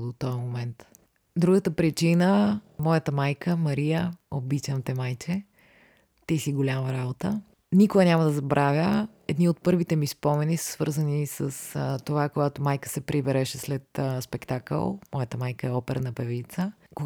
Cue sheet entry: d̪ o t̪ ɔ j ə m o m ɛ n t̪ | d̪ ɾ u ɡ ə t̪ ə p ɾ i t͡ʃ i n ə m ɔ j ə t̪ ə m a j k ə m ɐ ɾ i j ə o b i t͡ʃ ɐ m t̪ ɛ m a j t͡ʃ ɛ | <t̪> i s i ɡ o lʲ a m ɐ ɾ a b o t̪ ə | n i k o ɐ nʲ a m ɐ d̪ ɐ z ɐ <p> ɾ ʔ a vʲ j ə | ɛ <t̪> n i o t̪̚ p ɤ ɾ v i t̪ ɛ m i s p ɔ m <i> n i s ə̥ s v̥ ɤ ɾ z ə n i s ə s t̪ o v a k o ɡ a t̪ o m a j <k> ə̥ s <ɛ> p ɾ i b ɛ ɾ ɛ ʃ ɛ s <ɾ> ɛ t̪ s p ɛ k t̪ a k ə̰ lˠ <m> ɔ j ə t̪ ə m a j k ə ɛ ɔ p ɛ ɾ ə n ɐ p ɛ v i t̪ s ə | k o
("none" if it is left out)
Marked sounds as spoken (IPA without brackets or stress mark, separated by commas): t̪, b, d̪, ɛ, k, ɛ, l, m